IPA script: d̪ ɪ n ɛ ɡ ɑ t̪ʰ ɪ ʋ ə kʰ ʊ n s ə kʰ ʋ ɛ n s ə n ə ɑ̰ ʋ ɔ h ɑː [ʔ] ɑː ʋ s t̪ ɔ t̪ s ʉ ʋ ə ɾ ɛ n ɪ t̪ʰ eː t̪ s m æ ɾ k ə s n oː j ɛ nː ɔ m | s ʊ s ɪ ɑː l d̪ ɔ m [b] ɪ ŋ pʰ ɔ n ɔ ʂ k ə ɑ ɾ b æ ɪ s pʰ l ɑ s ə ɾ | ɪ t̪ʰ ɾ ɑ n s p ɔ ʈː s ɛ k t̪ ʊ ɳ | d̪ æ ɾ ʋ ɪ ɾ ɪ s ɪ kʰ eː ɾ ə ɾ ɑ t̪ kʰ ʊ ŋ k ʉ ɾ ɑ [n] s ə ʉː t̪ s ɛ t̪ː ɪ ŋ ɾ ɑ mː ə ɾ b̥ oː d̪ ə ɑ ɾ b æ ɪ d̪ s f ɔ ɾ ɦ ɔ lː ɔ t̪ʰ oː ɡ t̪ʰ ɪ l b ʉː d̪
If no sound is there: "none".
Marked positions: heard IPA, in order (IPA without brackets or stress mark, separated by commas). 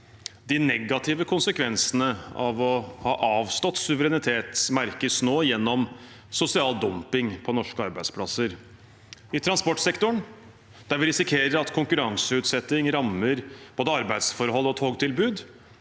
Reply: ʔ, p, ŋ